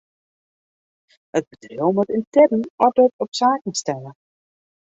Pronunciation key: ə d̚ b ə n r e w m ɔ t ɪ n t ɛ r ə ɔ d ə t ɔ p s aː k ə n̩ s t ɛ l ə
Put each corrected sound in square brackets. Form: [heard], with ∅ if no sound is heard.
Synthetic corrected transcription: ə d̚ b ə [d] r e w m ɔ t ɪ n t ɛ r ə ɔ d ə t ɔ p s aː k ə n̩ s t ɛ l ə